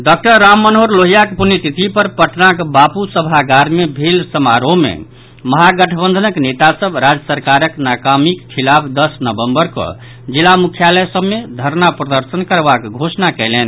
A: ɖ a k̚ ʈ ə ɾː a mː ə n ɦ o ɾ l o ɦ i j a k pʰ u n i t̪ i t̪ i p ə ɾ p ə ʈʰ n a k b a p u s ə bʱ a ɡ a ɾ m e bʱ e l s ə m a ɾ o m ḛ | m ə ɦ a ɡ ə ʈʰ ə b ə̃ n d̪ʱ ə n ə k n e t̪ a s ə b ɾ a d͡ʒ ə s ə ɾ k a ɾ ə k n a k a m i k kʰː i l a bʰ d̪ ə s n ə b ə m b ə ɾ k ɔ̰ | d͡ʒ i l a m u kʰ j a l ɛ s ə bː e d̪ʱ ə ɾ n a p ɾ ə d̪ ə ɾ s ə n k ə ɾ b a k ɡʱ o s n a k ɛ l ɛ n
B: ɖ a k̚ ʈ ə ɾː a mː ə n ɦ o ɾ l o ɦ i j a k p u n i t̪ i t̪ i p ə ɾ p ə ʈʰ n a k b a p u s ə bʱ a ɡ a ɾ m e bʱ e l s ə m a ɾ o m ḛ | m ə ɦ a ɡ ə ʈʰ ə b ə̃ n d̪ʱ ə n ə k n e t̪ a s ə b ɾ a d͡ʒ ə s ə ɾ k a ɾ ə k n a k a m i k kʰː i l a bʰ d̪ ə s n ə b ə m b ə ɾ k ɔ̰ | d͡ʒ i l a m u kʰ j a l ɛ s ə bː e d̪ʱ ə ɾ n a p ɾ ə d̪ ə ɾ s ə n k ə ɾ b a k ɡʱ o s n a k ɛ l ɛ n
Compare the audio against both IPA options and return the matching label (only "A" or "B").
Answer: B